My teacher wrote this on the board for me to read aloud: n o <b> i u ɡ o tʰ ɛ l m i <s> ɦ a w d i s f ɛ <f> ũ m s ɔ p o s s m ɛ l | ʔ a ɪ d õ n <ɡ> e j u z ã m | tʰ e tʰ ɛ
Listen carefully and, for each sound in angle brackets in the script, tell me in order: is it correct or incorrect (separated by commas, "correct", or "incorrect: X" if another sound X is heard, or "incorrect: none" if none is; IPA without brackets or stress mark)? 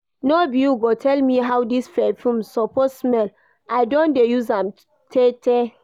correct, incorrect: none, correct, incorrect: d